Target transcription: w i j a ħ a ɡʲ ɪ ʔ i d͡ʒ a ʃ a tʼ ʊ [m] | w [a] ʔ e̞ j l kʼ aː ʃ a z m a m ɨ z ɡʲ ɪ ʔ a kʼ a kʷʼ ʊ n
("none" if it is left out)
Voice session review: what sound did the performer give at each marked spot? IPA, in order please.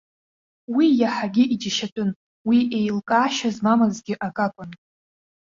n, i

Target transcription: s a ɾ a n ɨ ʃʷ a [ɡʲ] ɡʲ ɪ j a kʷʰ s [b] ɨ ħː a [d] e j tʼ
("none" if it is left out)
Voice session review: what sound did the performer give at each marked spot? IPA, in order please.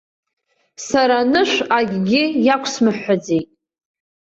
ɡʲ, m, d͡z

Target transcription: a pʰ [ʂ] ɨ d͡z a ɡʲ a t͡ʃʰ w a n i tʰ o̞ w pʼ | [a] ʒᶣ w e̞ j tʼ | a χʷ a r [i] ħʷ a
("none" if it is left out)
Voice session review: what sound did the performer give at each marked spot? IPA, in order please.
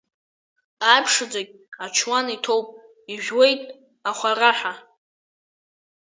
ʂ, i, a

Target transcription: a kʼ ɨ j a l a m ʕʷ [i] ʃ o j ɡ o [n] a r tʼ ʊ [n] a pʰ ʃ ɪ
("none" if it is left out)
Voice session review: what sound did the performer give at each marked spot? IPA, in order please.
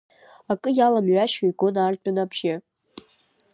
a, n, n

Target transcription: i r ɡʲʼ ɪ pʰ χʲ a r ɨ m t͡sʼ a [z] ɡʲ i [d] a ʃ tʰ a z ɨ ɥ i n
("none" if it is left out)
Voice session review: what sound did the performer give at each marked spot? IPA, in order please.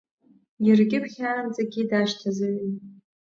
none, d

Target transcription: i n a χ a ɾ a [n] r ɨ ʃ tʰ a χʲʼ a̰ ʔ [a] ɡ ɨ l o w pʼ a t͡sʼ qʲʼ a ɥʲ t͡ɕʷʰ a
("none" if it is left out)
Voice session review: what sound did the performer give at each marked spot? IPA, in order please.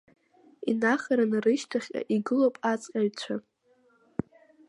n, i

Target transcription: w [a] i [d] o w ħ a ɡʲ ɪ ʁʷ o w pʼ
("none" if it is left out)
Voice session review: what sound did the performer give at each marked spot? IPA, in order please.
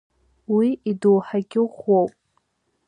i, d

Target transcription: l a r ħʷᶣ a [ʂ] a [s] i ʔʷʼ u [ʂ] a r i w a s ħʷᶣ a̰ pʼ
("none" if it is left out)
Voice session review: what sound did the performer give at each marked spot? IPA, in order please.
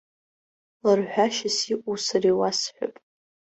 ʃ, s, s

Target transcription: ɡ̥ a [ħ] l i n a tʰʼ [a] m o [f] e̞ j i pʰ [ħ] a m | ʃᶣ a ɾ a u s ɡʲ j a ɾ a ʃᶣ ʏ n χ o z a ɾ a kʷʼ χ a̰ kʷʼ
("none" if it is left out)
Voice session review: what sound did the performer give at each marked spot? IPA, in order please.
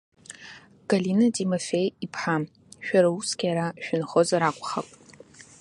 none, i, f, ħ

